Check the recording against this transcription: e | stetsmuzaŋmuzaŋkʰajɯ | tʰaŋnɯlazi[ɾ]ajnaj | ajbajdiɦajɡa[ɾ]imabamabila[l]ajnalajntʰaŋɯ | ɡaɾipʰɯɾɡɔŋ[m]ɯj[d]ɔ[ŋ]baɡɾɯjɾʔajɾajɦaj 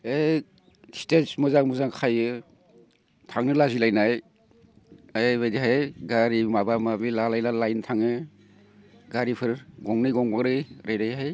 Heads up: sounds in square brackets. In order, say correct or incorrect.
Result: incorrect: l, correct, correct, incorrect: n, incorrect: ɡ, correct

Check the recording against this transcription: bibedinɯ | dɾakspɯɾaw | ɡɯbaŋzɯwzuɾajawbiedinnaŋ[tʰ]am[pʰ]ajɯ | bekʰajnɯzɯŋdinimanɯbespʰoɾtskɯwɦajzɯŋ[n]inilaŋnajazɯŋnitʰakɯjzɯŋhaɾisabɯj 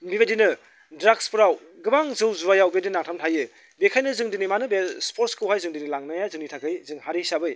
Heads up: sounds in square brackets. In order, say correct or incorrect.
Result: correct, incorrect: tʰ, incorrect: d

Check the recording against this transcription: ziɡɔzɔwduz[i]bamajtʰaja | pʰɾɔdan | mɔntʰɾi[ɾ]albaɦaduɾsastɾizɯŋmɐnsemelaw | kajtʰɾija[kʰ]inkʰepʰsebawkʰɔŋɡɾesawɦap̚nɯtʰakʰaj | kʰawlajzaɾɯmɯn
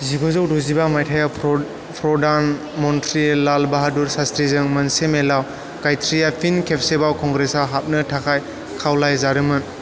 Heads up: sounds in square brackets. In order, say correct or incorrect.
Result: correct, incorrect: l, incorrect: pʰ

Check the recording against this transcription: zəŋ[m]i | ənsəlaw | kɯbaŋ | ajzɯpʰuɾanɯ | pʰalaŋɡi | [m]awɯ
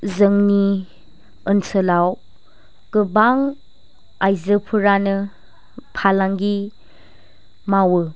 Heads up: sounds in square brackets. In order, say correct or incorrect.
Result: incorrect: n, correct

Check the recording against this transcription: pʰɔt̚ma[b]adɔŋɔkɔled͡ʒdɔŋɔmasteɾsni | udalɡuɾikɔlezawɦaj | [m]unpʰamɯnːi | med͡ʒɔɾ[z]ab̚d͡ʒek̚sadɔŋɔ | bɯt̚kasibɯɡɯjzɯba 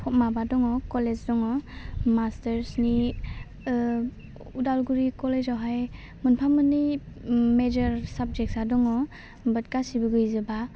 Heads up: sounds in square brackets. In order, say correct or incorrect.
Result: correct, correct, incorrect: s

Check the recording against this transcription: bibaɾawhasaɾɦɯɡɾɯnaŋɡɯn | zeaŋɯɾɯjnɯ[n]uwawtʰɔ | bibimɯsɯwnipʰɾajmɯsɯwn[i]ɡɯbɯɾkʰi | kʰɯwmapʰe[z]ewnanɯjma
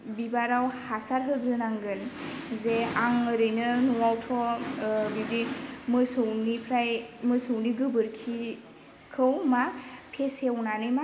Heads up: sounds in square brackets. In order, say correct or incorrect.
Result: correct, correct, incorrect: s

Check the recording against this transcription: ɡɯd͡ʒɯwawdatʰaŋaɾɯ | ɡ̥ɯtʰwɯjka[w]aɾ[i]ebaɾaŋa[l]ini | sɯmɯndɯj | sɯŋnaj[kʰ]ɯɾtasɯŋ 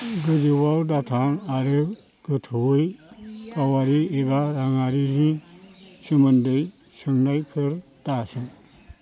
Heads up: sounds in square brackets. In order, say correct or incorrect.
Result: correct, correct, incorrect: ɾ, incorrect: pʰ

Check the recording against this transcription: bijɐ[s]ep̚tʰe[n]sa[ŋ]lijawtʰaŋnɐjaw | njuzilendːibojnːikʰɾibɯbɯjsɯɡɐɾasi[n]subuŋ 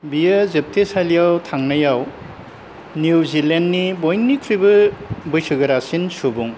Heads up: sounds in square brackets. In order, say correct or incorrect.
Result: incorrect: z, incorrect: none, incorrect: none, correct

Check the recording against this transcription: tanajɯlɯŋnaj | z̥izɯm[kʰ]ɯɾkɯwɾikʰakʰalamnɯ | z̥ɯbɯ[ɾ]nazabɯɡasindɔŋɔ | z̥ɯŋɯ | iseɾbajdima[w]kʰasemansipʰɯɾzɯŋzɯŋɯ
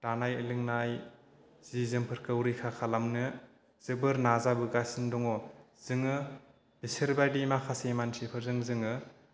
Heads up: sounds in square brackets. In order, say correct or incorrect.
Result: incorrect: pʰ, correct, incorrect: none

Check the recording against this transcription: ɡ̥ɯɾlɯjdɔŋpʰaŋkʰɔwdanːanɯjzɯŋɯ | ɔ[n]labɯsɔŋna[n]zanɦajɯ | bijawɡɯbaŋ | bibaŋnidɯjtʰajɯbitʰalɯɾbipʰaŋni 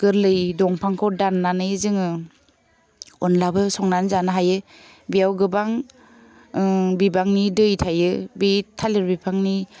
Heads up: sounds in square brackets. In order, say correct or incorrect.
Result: correct, correct

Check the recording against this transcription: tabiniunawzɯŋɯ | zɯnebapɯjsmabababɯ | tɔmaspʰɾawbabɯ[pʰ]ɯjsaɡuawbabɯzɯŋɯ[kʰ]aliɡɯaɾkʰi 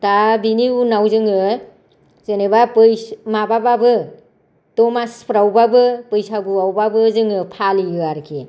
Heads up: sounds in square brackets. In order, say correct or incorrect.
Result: incorrect: p, incorrect: pʰ

